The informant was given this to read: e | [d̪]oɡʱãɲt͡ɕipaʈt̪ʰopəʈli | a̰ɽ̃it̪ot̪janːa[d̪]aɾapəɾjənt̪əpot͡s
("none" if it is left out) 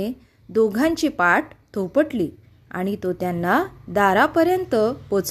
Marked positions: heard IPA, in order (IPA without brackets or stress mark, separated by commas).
d̪, d̪